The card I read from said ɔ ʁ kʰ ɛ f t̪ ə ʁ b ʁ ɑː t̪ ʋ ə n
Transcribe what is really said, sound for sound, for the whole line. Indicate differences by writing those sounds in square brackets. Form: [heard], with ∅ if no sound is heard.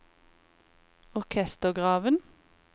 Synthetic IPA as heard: ɔ ʁ kʰ ɛ [s] t̪ ə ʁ [ɡ] ʁ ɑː [∅] ʋ ə n

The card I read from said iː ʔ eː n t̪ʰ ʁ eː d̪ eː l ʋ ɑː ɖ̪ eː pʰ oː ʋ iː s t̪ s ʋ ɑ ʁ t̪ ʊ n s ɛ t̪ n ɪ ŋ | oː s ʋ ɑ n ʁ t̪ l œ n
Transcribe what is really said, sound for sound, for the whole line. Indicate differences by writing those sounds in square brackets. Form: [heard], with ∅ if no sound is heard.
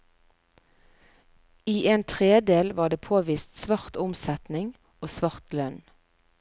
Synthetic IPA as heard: iː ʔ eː n t̪ʰ ʁ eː d̪ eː l ʋ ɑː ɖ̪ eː pʰ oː ʋ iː s t̪ s ʋ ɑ ʁ t̪ ʊ [m] s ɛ t̪ n ɪ ŋ | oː s ʋ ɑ [∅] ʁ t̪ l œ n

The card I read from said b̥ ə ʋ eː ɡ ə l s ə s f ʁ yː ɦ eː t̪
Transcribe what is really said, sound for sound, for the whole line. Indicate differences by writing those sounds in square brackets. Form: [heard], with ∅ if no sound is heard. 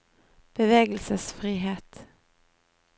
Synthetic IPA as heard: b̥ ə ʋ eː ɡ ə l s ə s f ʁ [iː] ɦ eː t̪

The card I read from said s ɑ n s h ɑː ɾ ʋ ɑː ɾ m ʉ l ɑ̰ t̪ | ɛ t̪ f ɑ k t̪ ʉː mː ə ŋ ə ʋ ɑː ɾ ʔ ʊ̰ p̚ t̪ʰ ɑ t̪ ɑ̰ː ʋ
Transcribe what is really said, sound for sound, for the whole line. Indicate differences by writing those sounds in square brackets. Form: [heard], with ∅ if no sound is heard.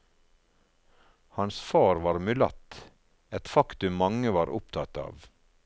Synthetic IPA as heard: [h] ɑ n s [f] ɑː ɾ ʋ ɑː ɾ m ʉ l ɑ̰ t̪ | ɛ t̪ f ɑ k t̪ [ʉ] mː [ɑ] ŋ ə ʋ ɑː ɾ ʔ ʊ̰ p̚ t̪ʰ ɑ t̪ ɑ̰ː ʋ

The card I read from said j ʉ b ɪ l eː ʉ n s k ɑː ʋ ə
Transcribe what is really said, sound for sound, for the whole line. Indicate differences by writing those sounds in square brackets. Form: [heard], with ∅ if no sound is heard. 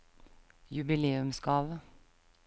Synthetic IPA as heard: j ʉ b ɪ l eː ʉ [m] s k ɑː ʋ ə

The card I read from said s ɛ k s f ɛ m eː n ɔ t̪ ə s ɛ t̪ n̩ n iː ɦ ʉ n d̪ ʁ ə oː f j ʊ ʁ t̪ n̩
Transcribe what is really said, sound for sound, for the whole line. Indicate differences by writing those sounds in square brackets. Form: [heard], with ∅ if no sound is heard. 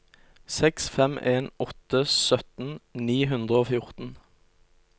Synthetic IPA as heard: s ɛ k s f ɛ m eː n ɔ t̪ ə s [œ] t̪ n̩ n iː ɦ ʉ n d̪ ʁ ə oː f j ʊ ʁ t̪ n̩

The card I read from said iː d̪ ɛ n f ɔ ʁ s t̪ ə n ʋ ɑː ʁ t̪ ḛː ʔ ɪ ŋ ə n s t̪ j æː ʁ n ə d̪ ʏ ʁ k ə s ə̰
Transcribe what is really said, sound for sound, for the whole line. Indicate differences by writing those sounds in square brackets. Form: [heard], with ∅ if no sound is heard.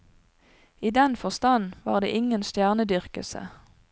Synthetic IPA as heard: iː d̪ ɛ n f ɔ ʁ s t̪ [ɑ] n ʋ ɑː ʁ [d̪] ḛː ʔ ɪ ŋ ə n s t̪ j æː ʁ n ə d̪ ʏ ʁ k ə s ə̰

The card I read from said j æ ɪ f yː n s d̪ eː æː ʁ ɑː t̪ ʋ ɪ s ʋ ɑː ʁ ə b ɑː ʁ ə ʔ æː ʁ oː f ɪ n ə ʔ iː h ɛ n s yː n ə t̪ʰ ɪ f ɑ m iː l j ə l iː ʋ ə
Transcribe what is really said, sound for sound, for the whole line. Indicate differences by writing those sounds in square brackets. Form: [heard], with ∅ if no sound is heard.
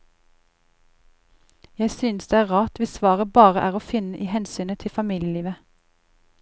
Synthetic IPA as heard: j æ ɪ [s] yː n s d̪ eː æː ʁ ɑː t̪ ʋ ɪ s ʋ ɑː ʁ ə b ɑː ʁ ə ʔ æː ʁ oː f ɪ n ə ʔ iː h ɛ n s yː n ə t̪ʰ ɪ f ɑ m iː l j ə l iː ʋ ə

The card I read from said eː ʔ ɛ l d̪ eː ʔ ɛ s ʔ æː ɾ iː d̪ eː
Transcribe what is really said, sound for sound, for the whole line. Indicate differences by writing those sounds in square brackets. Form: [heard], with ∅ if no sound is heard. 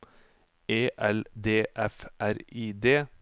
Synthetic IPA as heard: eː ʔ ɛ l d̪ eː ʔ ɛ [f] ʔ [æ] ɾ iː d̪ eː

